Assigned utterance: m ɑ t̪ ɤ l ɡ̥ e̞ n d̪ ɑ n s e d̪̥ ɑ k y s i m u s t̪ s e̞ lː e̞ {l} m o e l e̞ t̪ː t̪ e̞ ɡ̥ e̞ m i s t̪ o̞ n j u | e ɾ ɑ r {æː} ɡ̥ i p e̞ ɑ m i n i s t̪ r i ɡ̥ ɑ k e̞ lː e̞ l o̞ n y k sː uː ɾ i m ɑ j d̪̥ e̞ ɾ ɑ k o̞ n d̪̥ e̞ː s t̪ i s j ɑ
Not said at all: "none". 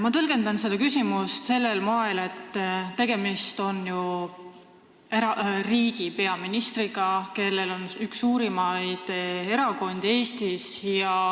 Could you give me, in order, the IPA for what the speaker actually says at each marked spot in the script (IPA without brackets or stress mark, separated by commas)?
l, iː